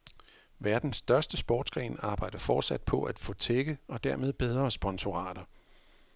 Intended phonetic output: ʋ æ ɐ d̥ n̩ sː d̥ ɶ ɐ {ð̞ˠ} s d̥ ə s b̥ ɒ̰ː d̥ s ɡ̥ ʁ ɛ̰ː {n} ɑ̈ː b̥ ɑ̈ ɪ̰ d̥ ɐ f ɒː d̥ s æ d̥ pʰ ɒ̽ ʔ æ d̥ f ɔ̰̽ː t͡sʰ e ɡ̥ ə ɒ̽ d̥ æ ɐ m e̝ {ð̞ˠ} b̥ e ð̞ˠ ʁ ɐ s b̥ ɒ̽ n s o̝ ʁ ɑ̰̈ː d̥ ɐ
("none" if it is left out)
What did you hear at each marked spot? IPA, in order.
none, n, ð̞ˠ

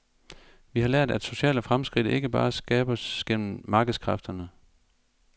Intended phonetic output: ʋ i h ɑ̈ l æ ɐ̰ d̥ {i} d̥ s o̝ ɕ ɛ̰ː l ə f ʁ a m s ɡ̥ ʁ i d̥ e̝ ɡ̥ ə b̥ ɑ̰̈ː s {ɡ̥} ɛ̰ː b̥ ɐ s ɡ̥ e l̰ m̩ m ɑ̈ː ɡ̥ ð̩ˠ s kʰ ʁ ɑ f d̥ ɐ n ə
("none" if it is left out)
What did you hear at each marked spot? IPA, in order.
æ, ɡ̥

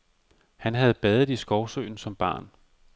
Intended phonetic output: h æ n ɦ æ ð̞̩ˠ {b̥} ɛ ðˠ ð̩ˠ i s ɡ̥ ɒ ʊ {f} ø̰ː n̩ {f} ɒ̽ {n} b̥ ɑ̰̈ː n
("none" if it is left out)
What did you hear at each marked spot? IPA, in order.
b̥, s, s, m

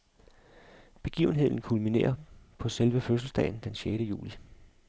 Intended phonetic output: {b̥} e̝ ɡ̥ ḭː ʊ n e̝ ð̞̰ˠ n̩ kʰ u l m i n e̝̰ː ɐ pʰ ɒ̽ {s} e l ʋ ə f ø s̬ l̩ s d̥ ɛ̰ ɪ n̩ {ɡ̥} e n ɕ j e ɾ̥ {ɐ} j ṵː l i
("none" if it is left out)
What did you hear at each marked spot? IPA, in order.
b̥, s, d̥, ə

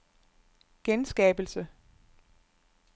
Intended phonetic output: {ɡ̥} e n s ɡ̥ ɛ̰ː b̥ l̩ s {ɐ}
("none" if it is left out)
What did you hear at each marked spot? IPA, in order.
ɡ̥, ə

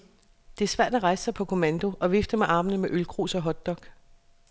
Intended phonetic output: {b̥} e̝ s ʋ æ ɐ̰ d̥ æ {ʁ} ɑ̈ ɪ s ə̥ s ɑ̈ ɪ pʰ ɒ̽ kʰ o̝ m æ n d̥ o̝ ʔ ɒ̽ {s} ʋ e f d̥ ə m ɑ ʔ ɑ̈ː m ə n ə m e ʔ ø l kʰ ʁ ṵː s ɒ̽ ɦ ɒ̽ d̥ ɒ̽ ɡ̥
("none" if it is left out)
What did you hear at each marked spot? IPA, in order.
d̥, ʁ, none

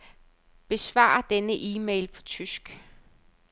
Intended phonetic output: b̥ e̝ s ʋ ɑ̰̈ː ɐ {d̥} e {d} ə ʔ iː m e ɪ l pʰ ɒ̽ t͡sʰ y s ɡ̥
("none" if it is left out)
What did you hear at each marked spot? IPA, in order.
d̥, n

